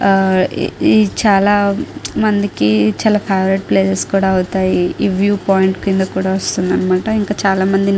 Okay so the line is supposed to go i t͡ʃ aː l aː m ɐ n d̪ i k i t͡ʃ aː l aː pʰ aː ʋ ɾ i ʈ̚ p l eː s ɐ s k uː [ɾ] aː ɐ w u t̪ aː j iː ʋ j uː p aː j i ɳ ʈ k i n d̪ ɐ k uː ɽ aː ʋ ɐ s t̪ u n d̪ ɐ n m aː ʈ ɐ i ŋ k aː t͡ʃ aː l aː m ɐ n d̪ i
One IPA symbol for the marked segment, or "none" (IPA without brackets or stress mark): ɽ